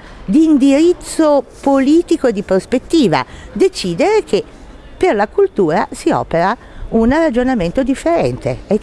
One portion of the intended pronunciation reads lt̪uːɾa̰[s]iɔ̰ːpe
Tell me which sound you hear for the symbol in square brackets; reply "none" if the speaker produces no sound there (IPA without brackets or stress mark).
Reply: s